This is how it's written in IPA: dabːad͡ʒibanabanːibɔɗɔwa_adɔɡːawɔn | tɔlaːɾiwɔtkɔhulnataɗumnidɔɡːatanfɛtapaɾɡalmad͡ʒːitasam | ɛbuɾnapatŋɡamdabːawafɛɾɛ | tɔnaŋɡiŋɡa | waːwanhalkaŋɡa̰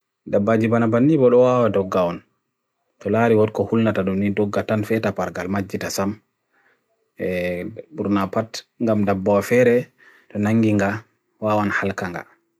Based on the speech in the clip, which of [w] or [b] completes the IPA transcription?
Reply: w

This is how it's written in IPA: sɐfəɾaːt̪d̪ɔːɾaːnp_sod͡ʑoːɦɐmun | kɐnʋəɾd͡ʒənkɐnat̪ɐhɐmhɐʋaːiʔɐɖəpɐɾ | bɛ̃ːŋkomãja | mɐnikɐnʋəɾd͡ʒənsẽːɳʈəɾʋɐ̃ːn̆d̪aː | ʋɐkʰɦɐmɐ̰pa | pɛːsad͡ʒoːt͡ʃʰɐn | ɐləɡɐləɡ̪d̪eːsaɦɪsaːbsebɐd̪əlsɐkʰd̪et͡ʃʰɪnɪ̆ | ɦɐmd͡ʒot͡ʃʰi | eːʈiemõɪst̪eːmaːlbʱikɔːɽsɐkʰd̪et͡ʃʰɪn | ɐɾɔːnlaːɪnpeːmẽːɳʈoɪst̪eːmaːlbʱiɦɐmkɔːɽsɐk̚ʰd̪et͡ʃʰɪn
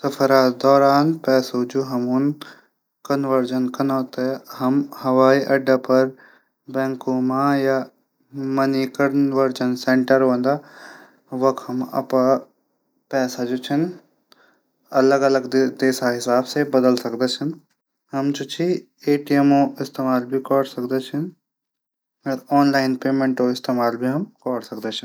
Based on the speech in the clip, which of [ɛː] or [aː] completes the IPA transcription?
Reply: ɛː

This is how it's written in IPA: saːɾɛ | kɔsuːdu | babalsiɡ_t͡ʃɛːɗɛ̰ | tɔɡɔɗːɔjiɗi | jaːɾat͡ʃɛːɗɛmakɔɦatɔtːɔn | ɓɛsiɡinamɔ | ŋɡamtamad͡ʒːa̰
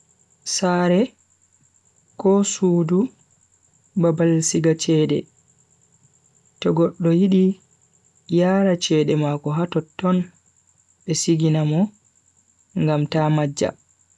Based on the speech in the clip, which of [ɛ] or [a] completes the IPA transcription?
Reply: a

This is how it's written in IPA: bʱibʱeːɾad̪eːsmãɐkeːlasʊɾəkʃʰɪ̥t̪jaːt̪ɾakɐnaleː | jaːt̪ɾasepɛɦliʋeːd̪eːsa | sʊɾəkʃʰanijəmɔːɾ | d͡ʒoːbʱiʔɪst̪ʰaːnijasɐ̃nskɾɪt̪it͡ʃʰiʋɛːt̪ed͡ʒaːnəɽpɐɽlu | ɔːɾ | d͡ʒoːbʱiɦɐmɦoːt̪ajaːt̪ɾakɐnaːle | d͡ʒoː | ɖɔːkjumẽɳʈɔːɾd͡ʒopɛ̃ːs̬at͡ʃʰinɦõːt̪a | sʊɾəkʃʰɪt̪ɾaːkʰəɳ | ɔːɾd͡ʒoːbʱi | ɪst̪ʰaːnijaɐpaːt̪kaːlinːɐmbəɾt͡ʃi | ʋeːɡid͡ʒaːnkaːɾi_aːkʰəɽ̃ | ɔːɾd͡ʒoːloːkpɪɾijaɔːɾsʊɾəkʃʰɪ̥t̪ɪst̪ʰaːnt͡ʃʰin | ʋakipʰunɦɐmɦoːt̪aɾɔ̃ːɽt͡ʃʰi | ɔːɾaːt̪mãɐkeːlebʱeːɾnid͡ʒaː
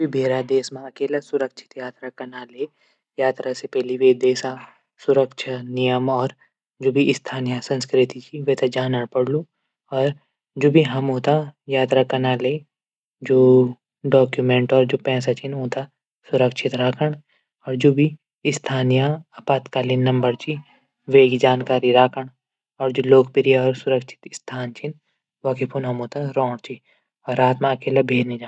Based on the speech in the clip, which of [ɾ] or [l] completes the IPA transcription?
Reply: ɾ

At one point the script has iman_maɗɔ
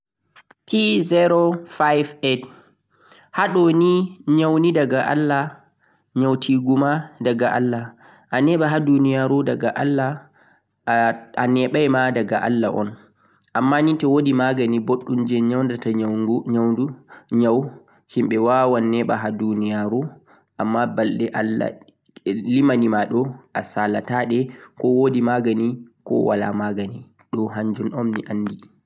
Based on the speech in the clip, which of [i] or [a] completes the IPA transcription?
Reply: i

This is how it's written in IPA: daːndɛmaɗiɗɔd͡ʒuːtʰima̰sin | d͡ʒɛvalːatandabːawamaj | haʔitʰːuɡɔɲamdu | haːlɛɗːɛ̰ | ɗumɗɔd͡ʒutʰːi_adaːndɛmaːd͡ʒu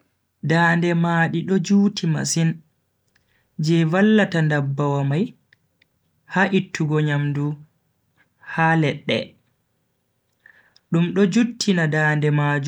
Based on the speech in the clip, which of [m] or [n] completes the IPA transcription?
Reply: n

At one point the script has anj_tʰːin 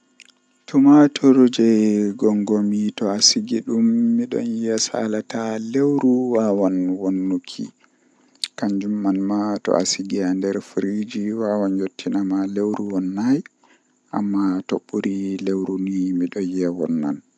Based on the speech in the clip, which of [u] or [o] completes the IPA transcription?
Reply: o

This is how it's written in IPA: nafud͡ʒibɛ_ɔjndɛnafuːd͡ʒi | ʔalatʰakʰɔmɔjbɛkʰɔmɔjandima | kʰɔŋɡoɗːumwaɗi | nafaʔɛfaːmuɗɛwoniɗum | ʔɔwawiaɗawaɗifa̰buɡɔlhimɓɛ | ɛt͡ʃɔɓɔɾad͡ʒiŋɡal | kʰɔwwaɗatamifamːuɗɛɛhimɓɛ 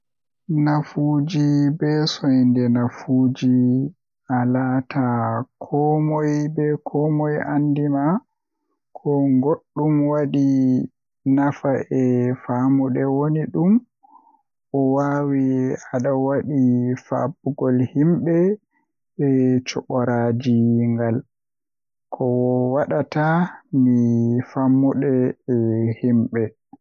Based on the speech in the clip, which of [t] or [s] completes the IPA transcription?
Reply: s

